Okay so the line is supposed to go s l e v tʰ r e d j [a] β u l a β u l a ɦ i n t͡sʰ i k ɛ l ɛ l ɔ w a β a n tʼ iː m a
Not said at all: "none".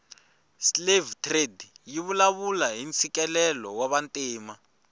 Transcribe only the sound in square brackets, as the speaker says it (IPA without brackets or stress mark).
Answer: i